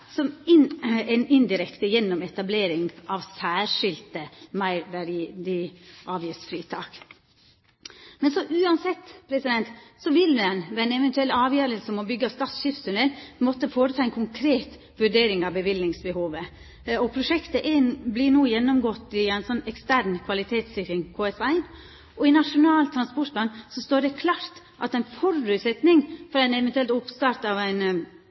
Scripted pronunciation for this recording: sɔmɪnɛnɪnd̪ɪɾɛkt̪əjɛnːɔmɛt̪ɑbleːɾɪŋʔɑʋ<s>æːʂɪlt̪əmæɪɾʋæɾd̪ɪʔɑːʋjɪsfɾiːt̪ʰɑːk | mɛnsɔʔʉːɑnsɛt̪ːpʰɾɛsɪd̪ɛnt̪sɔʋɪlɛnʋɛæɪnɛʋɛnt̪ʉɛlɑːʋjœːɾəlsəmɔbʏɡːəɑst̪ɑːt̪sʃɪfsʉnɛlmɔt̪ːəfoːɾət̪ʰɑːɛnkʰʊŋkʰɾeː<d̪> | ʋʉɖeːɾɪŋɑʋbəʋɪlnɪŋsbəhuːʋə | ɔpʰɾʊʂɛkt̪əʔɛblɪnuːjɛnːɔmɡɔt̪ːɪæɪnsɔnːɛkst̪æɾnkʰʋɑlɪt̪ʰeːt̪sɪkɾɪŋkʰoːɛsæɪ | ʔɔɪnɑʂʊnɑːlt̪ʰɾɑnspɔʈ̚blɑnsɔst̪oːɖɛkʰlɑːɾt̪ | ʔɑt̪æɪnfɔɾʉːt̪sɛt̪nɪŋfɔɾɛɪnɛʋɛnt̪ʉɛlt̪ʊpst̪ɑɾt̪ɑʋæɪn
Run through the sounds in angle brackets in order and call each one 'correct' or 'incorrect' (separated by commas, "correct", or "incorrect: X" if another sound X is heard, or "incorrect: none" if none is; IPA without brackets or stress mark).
correct, incorrect: t̪